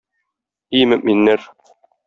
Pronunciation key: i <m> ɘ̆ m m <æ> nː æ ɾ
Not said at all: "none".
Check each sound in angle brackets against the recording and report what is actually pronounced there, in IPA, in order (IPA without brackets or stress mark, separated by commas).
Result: m, i